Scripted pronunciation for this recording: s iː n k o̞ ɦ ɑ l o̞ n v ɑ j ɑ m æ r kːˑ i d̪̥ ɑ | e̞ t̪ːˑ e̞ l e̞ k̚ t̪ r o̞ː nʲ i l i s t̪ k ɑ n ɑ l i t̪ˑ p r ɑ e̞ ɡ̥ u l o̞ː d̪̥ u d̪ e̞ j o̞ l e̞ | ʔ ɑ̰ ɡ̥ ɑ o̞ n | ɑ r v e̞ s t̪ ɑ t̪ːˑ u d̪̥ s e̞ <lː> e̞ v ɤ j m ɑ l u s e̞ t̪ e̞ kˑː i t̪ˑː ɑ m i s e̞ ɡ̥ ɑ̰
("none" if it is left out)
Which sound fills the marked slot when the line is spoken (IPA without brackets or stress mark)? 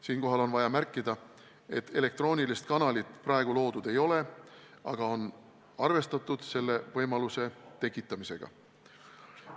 lː